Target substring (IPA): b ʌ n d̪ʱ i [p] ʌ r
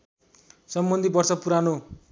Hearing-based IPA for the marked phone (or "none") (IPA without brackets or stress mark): b